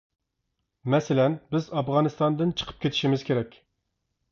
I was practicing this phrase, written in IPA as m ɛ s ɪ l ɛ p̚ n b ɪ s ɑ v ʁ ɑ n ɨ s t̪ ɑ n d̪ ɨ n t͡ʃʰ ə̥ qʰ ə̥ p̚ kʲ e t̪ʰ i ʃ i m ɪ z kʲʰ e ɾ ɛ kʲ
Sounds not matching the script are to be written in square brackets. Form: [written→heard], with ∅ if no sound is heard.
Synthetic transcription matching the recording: m ɛ s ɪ l ɛ [p̚→∅] n b ɪ [s→z] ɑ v ʁ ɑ n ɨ s t̪ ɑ n d̪ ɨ n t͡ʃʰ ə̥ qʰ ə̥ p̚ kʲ e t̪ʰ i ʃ i m ɪ z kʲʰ e ɾ ɛ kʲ